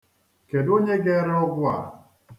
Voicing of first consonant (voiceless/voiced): voiceless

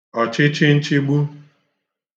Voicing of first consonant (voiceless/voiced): voiceless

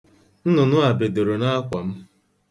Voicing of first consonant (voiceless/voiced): voiced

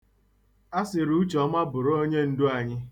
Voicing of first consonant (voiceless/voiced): voiceless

